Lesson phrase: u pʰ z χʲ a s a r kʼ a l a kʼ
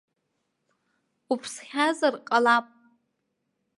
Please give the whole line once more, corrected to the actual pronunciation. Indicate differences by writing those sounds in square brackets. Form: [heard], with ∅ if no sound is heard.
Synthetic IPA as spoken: u pʰ [s] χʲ a [z] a r [qʼ] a l a [pʼ]